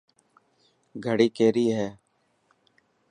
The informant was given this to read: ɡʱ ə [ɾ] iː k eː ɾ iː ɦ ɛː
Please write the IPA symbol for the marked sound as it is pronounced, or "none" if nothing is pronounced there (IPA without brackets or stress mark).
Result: ɽ